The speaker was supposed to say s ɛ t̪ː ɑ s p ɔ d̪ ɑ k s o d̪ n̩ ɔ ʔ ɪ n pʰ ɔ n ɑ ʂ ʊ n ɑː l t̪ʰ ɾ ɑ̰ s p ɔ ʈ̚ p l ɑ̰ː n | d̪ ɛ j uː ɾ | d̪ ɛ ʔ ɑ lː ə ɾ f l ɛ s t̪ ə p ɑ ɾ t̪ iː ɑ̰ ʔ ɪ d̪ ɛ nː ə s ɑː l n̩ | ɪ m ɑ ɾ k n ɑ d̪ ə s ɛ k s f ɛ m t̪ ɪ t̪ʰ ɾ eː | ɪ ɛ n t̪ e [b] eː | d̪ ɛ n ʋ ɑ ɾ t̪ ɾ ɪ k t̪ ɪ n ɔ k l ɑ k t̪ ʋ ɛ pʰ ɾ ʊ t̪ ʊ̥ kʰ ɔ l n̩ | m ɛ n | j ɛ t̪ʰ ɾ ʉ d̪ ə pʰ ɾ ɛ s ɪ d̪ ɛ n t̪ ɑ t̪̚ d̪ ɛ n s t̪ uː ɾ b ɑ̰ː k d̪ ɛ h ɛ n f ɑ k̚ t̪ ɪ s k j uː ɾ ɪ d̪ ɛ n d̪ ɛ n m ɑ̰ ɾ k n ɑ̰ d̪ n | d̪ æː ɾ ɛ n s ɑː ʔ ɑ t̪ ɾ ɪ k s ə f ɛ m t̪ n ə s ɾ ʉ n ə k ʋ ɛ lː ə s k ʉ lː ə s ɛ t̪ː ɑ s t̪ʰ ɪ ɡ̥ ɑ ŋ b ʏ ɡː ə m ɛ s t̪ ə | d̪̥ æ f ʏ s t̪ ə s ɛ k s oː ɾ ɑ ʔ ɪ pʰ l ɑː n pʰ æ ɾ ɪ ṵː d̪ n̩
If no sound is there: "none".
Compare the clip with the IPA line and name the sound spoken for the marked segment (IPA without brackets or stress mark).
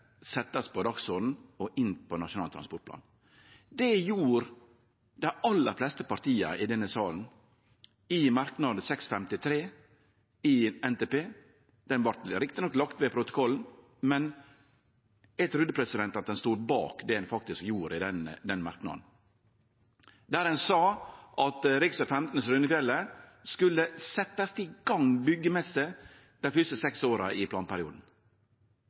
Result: p